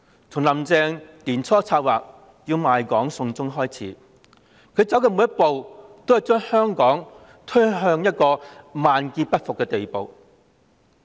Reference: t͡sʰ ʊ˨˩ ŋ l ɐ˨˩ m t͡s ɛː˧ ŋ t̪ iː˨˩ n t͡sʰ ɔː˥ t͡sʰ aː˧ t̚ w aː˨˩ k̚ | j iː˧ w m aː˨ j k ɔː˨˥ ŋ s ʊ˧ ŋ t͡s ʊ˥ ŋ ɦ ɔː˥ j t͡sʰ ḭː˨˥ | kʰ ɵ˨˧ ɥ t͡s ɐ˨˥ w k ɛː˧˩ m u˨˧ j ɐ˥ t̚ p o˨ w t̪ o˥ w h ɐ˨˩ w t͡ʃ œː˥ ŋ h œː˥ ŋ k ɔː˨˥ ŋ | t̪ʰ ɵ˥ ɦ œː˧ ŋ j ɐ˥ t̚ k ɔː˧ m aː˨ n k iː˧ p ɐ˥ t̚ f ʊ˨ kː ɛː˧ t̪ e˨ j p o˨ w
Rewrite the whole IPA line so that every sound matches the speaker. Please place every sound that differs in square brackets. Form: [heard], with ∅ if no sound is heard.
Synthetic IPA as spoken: t͡sʰ ʊ˨˩ ŋ l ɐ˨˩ m t͡s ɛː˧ ŋ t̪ iː˨˩ n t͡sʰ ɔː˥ t͡sʰ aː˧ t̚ w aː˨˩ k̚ | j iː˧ w m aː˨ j k ɔː˨˥ ŋ s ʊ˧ ŋ t͡s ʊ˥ ŋ ɦ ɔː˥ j t͡sʰ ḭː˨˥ | kʰ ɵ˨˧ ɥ t͡s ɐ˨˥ w k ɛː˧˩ m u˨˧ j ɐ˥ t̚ p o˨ w t̪ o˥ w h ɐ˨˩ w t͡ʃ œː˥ ŋ h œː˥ ŋ k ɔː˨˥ ŋ | t̪ʰ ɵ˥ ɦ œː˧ ŋ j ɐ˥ t̚ k ɔː˧ m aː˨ n k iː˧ p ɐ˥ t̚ f ʊ˨ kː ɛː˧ t̪ e˨ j p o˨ w